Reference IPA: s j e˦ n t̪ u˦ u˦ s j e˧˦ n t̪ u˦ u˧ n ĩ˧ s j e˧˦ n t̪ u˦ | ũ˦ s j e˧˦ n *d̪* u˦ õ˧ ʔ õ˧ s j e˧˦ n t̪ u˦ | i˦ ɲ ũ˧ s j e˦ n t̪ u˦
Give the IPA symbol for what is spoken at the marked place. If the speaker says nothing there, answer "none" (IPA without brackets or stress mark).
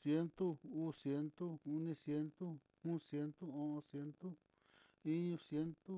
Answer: t̪